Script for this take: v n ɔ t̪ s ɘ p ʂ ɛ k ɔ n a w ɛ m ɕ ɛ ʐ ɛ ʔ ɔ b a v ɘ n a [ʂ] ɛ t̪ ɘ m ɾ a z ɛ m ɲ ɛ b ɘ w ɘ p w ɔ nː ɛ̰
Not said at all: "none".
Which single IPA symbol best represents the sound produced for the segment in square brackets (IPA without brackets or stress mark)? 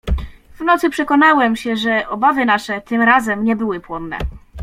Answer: ʂ